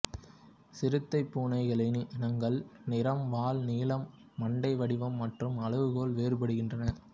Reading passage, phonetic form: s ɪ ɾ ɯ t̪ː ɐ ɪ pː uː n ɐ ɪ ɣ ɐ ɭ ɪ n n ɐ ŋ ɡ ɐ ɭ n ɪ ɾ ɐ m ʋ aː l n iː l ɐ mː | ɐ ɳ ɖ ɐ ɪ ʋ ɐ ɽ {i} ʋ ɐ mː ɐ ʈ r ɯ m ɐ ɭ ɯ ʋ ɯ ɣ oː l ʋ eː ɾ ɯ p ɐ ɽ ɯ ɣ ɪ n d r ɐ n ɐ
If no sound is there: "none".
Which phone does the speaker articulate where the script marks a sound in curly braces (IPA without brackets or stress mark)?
ɪ